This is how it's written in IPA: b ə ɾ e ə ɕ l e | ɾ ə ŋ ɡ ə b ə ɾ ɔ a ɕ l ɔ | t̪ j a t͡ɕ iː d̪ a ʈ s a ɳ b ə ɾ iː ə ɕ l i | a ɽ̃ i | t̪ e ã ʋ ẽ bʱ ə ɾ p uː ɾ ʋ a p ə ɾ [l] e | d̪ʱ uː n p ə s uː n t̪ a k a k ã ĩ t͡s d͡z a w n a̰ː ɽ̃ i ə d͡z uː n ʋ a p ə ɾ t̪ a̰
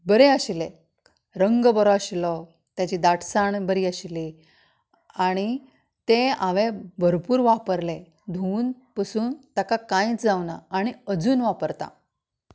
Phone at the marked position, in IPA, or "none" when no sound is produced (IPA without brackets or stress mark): l